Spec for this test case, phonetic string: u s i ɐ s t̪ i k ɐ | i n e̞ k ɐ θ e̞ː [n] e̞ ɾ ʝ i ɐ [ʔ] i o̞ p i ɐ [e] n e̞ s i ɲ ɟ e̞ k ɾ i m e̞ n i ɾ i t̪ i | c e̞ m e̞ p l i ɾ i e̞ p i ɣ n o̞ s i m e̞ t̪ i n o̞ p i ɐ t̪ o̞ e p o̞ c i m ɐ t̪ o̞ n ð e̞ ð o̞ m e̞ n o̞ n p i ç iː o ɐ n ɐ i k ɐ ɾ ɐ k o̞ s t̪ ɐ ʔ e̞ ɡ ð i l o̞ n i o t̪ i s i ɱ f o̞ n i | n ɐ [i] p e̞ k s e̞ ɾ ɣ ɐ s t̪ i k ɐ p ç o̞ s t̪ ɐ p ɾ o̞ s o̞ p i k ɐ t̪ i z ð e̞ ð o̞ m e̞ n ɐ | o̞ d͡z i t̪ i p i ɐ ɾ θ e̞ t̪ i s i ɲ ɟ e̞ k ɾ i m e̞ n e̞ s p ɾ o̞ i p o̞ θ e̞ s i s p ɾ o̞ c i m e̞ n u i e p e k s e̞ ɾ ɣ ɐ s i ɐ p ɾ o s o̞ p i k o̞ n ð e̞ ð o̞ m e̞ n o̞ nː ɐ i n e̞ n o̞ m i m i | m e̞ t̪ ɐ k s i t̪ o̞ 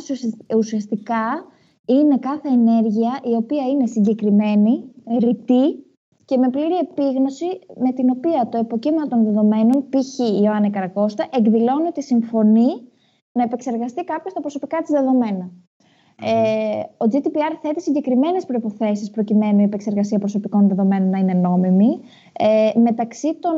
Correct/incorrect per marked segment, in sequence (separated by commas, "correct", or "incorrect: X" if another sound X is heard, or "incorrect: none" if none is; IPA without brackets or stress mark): correct, correct, incorrect: i, incorrect: e